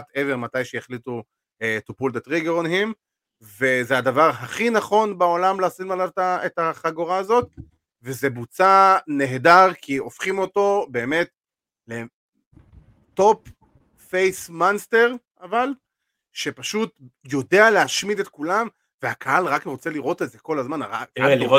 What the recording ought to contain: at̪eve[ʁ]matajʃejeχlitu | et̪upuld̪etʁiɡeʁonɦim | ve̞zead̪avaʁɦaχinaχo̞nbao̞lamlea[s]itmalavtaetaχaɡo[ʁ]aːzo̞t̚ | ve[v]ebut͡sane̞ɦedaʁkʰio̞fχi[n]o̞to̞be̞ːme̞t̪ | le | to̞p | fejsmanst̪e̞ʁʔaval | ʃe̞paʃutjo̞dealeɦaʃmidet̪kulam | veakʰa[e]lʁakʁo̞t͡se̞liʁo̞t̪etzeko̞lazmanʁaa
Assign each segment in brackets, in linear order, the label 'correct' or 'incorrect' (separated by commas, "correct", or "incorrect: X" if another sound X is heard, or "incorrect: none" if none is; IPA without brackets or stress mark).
correct, correct, correct, incorrect: z, incorrect: m, incorrect: a